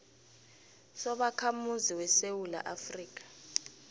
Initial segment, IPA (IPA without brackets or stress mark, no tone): s